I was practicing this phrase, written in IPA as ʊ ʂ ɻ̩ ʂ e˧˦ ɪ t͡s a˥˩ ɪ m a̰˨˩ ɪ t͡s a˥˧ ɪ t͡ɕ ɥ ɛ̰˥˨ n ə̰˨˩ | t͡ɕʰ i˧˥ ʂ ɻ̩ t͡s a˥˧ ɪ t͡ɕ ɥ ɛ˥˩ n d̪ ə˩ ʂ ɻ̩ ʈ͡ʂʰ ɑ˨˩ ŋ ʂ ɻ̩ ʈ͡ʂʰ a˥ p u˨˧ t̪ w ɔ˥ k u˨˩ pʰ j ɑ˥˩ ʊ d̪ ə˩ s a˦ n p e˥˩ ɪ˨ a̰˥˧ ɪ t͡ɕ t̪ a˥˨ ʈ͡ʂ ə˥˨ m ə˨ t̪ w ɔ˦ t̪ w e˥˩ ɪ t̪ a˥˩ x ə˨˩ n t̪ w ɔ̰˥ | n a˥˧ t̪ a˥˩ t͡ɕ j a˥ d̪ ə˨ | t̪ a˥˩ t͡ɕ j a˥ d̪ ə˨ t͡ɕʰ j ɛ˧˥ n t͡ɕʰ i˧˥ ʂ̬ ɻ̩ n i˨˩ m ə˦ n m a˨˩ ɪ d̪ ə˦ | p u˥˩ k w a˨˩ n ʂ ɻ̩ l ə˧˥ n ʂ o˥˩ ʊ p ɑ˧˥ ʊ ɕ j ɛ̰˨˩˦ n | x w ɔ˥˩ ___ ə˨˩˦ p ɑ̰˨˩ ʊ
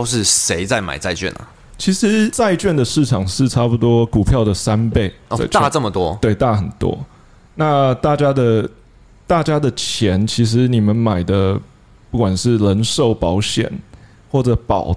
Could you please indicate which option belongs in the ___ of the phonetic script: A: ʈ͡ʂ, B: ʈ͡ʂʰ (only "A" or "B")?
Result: A